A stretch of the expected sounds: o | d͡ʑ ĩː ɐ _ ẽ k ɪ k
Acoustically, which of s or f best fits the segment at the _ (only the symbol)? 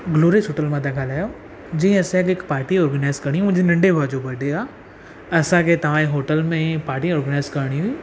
s